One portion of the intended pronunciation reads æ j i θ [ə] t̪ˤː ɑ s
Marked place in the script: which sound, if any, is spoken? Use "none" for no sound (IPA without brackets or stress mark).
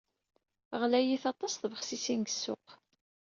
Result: ɑ